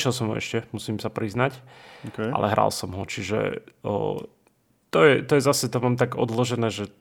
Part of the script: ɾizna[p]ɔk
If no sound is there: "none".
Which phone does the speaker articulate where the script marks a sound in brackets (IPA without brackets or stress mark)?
c